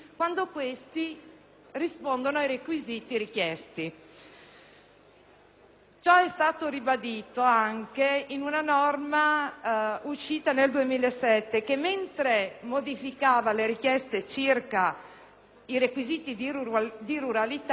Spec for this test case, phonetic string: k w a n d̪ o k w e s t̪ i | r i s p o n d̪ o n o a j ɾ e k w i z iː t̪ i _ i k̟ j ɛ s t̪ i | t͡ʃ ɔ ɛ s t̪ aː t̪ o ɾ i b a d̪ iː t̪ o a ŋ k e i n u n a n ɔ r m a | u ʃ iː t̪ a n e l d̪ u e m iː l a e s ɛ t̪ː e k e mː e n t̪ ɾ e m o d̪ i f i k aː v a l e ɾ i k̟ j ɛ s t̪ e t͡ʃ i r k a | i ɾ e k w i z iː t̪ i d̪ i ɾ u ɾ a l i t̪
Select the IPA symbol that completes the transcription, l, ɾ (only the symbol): ɾ